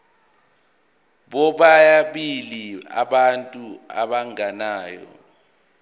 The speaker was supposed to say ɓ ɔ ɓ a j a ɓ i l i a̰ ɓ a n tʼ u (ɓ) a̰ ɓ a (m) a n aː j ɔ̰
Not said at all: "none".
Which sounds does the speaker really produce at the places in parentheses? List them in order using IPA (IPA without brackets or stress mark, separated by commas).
none, ŋ